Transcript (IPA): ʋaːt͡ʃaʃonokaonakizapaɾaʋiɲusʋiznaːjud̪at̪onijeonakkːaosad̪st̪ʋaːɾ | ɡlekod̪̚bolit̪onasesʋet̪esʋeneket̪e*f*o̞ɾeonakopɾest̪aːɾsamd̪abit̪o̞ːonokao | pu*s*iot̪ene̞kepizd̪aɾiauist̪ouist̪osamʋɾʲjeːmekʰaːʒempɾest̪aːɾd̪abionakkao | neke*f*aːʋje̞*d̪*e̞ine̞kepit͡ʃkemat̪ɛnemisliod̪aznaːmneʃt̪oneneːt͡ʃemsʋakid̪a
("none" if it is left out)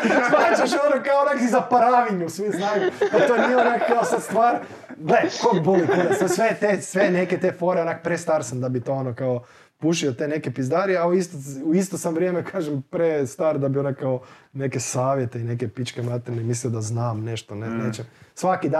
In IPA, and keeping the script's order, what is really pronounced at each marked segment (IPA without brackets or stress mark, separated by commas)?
f, ʃ, s, t̪